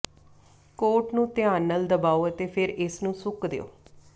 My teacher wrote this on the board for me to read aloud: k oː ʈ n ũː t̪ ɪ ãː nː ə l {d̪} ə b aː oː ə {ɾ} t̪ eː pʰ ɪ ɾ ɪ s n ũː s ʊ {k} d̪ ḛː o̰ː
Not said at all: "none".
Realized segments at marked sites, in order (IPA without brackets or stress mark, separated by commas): d̪, none, k